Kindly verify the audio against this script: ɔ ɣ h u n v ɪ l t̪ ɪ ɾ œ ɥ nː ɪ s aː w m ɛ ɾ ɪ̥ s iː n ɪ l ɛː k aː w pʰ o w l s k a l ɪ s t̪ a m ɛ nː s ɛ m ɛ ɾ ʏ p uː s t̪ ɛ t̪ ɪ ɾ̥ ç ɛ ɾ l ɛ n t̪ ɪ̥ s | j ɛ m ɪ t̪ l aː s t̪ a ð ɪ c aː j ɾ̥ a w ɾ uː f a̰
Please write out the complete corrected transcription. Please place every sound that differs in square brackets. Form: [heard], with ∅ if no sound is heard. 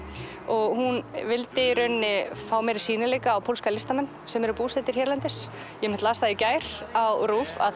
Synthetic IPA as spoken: ɔ ɣ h u n v ɪ l t̪ ɪ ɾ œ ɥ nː ɪ [f] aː w m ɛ ɾ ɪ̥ s iː n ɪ l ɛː k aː w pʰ o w l s k a l ɪ s t̪ a m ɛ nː s ɛ m ɛ ɾ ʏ p uː s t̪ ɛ t̪ ɪ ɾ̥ ç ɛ ɾ l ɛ n t̪ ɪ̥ s | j ɛ m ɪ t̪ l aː s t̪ a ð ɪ c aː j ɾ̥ a w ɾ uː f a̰

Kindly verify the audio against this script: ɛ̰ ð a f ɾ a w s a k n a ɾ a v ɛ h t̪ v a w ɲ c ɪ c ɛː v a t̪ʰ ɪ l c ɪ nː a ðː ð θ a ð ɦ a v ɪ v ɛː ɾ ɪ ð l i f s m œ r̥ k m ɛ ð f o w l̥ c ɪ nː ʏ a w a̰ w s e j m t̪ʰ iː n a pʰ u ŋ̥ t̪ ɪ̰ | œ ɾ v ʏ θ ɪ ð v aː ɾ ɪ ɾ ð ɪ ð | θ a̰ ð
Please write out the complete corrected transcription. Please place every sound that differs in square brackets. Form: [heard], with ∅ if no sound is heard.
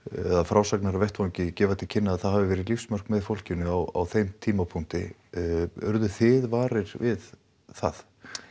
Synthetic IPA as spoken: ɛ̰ ð a f ɾ a w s a k n a ɾ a v ɛ h t̪ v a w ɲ c ɪ c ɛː v a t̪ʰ ɪ l [cʰ] ɪ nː a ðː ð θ a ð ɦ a v ɪ v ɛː ɾ ɪ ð l i f s m œ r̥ k m ɛ ð f o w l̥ c ɪ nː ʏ a w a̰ w [θ] e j m t̪ʰ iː [m] a pʰ u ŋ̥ t̪ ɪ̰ | œ ɾ [ð] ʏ θ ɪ ð v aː ɾ ɪ ɾ [v] ɪ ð | θ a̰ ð

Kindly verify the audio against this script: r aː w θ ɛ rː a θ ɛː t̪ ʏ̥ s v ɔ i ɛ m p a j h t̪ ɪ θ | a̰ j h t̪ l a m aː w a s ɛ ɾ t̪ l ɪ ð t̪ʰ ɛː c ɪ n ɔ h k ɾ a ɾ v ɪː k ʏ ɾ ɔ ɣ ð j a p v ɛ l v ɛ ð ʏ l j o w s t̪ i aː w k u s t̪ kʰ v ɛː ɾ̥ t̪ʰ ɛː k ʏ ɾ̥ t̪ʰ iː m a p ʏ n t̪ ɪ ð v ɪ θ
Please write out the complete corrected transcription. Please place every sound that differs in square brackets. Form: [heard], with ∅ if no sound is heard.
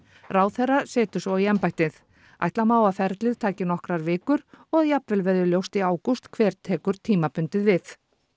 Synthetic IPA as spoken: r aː w θ ɛ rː a [s] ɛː t̪ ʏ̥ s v ɔ i ɛ m p a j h t̪ ɪ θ | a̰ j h t̪ l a m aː w a [f] ɛ ɾ t̪ l ɪ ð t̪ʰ [aː] c ɪ n ɔ h k ɾ a ɾ v ɪː k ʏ ɾ ɔ ɣ ð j a p v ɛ l v ɛ ð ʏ l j o w s t̪ i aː w k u s t̪ kʰ v ɛː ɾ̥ t̪ʰ ɛː k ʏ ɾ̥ t̪ʰ iː m a p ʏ n t̪ ɪ ð v ɪ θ

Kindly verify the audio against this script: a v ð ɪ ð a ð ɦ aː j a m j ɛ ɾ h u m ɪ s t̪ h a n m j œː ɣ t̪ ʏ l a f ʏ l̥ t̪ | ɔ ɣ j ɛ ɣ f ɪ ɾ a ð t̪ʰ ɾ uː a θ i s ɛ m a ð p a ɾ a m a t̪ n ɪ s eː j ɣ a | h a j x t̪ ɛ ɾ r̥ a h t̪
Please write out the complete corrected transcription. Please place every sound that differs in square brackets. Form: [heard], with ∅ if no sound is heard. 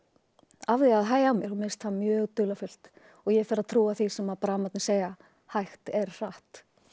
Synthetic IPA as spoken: a v ð ɪ [∅] a ð ɦ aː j a m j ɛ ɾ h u m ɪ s t̪ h a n m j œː ɣ t̪ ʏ l a f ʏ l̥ t̪ | ɔ ɣ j ɛ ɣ f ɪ ɾ a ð t̪ʰ ɾ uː a θ i s ɛ m a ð p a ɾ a m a t̪ n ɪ s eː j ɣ a | h a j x t̪ ɛ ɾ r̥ a h t̪

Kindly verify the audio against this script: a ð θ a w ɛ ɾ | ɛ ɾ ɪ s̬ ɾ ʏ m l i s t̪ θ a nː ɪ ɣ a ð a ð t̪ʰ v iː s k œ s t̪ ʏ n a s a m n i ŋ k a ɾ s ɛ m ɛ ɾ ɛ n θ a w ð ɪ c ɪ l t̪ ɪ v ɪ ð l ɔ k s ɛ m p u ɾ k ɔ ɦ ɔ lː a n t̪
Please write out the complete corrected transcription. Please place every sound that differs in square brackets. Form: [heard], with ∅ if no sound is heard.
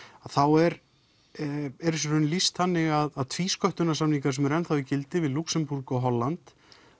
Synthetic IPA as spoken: a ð θ a w ɛ ɾ | ɛ ɾ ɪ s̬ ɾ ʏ [n] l i s t̪ θ a nː ɪ ɣ a ð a ð t̪ʰ v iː s k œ [h] t̪ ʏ n a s a m n i ŋ k a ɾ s ɛ m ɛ ɾ ɛ n θ a w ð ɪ c ɪ l t̪ ɪ v ɪ ð l [u] k s ɛ m p u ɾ k ɔ ɦ ɔ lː a n t̪

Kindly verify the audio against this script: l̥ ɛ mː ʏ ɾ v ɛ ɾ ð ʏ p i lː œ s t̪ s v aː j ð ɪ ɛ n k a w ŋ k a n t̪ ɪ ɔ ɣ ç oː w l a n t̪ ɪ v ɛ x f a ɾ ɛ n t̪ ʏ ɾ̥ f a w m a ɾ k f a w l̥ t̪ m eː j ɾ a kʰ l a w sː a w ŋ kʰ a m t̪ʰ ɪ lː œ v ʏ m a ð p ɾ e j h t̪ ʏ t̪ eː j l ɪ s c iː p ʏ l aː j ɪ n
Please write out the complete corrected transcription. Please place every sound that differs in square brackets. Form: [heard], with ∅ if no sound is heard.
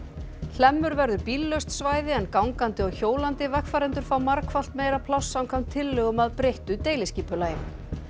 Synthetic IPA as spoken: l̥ ɛ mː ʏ ɾ v ɛ ɾ ð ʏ p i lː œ s t̪ s v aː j ð ɪ ɛ n k a w ŋ k a n t̪ ɪ ɔ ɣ ç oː w l a n t̪ ɪ v ɛ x f a ɾ ɛ n t̪ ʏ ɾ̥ f a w m a ɾ k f a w l̥ t̪ m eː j ɾ a [pʰ] l a w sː a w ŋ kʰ a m t̪ʰ ɪ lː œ [ɣ] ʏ m a ð p ɾ e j h t̪ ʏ t̪ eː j l ɪ s c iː p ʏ l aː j ɪ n

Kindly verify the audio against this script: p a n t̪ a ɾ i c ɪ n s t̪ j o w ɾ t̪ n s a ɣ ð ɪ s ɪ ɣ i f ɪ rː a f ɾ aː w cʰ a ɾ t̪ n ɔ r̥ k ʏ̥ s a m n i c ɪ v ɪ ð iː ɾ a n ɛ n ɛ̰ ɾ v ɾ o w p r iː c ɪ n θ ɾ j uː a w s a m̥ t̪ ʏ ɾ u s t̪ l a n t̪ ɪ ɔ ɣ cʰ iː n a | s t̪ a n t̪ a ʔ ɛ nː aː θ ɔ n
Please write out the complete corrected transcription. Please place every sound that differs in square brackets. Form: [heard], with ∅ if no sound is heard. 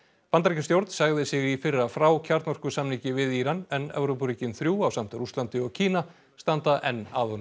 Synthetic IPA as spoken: p a n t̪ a ɾ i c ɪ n s t̪ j o w ɾ t̪ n s a ɣ ð ɪ s ɪ ɣ i f ɪ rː a f ɾ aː w cʰ a ɾ t̪ n ɔ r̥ k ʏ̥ s a m n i c ɪ v ɪ ð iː ɾ a n ɛ n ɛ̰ [∅] v ɾ o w p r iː c ɪ n θ ɾ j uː a w s a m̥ t̪ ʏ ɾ u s t̪ l a n t̪ ɪ ɔ ɣ cʰ iː n a | s t̪ a n t̪ a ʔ ɛ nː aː [ð] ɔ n

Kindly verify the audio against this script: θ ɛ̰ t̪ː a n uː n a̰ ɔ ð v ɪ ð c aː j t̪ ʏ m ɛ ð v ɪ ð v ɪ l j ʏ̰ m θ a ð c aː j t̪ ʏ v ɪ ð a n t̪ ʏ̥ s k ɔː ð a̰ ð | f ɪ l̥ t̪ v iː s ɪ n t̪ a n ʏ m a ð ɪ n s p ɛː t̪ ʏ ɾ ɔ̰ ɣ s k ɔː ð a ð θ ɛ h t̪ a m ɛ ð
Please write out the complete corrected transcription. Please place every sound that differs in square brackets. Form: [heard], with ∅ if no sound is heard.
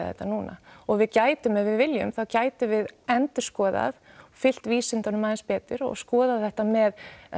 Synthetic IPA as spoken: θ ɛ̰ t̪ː a n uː n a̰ ɔ [ɣ] v ɪ ð c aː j t̪ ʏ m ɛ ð v ɪ ð v ɪ l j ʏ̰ m θ a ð c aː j t̪ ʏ v ɪ ð [ɛ] n t̪ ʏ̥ s k ɔː ð a̰ ð | f ɪ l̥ t̪ v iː s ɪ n t̪ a n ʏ m a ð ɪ n s p ɛː t̪ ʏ ɾ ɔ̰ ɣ s k ɔː ð a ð θ ɛ h t̪ a m ɛ ð

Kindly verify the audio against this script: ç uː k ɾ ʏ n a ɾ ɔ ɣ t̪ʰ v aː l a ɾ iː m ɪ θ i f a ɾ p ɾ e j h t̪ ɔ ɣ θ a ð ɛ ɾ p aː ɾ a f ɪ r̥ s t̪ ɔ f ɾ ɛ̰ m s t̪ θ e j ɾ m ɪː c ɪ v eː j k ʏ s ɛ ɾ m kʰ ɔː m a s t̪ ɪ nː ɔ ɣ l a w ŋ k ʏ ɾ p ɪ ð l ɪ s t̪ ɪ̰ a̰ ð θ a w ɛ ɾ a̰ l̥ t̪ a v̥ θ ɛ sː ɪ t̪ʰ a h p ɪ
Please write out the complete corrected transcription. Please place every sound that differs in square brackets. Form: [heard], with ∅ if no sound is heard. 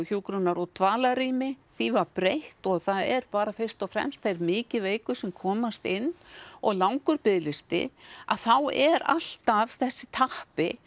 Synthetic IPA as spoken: ç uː k ɾ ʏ n a ɾ ɔ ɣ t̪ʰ v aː l a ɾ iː m ɪ θ i [v] a ɾ p ɾ e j h t̪ ɔ ɣ θ a ð ɛ ɾ p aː ɾ a f ɪ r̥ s t̪ ɔ f ɾ ɛ̰ m s t̪ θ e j ɾ m ɪː c ɪ v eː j k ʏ s ɛ [∅] m kʰ ɔː m a s t̪ ɪ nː ɔ ɣ l a w ŋ k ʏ ɾ p ɪ ð l ɪ s t̪ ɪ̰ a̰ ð θ a w ɛ ɾ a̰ l̥ t̪ a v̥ θ ɛ sː ɪ t̪ʰ a h p ɪ

